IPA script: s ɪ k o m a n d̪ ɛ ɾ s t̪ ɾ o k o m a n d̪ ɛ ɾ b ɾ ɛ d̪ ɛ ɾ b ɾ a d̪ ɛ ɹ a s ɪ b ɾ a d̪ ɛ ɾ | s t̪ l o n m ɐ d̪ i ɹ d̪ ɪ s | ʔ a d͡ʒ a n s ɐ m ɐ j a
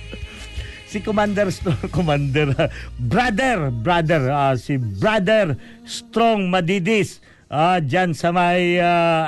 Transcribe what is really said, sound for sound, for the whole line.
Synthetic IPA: s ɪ k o m a n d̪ ɛ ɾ s t̪ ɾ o k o m a n d̪ ɛ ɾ b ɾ a d̪ ɛ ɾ b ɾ a d̪ ɛ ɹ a s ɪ b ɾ a d̪ ɛ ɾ | s t̪ ɾ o ŋ m ɐ d̪ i d̪ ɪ s | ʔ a d͡ʒ a n s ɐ m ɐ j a